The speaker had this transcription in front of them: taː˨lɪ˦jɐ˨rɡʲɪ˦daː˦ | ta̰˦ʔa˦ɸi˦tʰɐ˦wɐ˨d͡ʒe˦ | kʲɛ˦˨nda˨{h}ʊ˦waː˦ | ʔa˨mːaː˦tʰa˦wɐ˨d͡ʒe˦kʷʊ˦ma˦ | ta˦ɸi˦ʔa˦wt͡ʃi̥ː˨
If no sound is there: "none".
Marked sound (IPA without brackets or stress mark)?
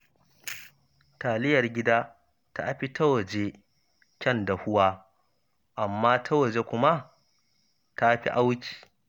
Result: h